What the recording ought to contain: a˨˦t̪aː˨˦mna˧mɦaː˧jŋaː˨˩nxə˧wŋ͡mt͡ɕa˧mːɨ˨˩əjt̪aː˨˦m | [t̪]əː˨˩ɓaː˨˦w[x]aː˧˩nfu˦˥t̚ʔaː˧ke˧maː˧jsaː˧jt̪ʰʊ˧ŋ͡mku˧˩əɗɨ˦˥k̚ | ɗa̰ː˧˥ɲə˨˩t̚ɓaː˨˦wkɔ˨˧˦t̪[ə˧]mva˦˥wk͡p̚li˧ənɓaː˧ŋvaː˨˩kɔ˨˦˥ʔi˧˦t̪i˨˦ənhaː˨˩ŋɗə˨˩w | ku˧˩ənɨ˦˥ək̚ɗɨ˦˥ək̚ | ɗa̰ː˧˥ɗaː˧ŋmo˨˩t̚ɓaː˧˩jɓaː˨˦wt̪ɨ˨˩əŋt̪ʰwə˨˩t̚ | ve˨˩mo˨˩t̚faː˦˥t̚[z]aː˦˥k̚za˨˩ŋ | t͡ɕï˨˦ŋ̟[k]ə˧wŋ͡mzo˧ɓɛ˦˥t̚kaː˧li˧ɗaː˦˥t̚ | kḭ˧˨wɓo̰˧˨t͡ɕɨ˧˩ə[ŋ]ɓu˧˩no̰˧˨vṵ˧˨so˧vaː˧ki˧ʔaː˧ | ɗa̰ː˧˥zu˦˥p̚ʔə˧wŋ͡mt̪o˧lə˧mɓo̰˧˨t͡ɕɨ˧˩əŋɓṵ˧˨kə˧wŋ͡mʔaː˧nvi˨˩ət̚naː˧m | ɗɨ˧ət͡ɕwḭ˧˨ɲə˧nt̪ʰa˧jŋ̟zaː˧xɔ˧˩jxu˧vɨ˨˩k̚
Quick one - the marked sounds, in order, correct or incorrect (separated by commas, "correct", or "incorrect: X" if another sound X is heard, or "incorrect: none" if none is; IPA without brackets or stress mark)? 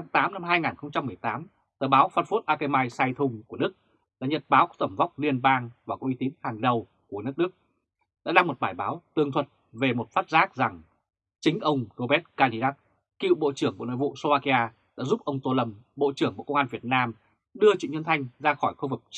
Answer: correct, incorrect: f, incorrect: ə˧˩, correct, incorrect: ʔ, correct